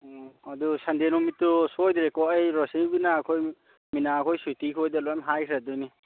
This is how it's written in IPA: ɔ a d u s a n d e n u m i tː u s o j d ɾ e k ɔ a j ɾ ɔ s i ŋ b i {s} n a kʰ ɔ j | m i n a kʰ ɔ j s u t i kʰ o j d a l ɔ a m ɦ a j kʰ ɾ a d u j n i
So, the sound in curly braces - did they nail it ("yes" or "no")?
no